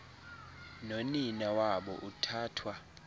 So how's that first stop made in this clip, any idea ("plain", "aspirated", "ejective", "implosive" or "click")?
implosive